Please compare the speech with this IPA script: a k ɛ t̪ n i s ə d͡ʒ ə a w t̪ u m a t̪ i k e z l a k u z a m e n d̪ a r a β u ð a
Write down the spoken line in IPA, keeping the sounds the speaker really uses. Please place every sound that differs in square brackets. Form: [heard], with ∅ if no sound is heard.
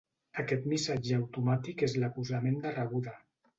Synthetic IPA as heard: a k ɛ t̪ [m] i s [a] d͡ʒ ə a w t̪ u m a t̪ i k e z l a k u z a m e n d̪ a r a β u ð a